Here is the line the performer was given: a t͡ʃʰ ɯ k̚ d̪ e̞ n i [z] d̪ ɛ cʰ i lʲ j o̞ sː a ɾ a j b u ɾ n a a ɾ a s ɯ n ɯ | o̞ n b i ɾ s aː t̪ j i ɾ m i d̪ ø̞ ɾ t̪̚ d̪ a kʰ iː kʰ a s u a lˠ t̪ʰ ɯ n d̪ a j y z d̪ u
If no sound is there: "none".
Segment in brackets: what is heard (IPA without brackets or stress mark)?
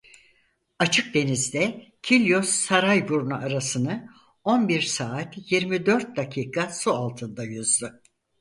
z